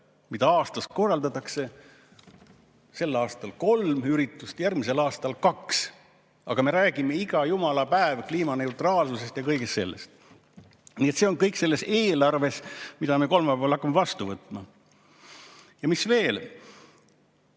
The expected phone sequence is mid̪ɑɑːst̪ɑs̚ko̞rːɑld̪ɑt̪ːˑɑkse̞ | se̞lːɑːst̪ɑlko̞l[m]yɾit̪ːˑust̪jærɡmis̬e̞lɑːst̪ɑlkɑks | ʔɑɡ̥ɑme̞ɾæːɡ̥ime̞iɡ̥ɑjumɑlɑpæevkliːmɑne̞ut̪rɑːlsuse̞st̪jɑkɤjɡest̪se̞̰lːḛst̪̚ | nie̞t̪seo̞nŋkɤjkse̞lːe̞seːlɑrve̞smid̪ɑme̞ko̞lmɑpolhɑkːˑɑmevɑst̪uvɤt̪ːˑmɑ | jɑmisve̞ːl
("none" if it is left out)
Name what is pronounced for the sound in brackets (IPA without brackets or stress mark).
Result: m